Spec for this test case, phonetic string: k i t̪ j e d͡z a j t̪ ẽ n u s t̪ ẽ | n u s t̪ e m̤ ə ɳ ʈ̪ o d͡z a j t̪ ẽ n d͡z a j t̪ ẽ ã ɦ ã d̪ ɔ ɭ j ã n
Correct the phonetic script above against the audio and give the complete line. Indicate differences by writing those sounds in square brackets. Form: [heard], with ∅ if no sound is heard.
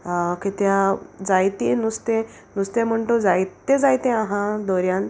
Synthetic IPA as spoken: k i t̪ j [a] d͡z a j t̪ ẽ n u s t̪ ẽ | n u s t̪ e m̤ ə ɳ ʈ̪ o d͡z a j t̪ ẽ [∅] d͡z a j t̪ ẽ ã ɦ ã d̪ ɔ [ɾ] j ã n